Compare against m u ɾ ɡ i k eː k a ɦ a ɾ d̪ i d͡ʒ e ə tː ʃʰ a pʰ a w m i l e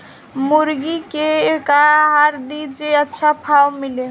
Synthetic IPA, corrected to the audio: m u ɾ ɡ i k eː k a ɦ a ɾ d̪ i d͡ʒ e ə tː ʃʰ a pʰ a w m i l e